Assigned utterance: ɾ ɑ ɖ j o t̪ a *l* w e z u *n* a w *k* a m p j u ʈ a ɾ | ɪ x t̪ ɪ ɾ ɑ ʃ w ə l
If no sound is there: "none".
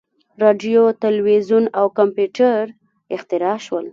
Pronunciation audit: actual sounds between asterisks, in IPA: l, n, k

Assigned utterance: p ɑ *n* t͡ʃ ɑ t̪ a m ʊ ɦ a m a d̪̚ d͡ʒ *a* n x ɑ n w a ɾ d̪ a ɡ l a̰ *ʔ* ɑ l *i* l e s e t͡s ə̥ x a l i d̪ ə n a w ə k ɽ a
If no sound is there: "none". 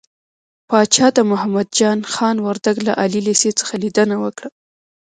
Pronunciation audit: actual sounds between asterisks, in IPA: none, ɑ, ʔ, i

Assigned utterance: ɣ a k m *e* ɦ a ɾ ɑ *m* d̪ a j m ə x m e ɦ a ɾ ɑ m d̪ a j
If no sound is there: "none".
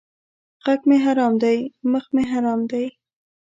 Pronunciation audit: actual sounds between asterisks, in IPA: e, m

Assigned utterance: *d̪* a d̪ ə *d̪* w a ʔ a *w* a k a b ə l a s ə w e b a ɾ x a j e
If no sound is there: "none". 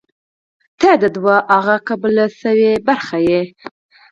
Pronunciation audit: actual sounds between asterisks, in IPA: t̪, d̪, ɣ

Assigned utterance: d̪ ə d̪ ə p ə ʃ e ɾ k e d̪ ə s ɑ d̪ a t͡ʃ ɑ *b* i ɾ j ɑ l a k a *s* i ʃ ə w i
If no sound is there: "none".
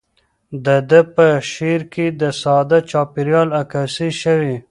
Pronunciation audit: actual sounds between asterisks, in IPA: p, s

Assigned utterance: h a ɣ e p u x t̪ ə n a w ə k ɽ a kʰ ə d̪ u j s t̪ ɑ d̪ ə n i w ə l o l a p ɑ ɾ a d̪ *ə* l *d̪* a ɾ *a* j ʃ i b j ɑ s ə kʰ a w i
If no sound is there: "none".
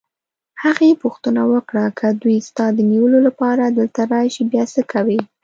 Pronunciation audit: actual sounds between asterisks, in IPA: ə, t̪, ɑ

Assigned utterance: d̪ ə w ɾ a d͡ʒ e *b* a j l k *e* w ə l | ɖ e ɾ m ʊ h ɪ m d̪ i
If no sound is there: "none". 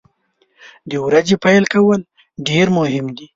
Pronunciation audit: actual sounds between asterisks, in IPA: p, a

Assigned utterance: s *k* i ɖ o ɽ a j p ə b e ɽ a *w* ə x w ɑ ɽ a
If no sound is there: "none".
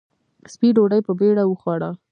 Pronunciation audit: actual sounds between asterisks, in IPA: p, w

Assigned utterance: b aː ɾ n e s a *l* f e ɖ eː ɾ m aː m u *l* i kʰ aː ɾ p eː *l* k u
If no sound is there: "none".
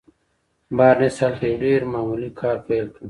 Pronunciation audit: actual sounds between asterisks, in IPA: l, l, l

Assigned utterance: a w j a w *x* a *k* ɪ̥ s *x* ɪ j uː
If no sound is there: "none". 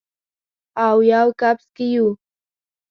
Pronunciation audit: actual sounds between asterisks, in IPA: k, p, k

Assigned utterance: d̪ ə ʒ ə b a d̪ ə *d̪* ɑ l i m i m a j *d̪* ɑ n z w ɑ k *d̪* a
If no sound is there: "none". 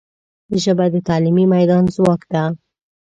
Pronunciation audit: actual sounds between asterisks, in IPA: t̪, d̪, d̪

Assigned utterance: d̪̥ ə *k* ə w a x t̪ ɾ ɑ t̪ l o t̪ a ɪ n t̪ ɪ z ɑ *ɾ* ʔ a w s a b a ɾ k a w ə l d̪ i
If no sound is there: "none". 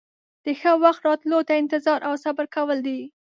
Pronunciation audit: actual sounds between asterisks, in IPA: x, ɾ

